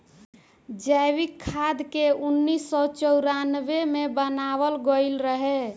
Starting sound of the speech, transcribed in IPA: d͡ʒ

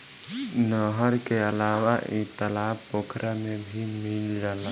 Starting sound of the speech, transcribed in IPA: n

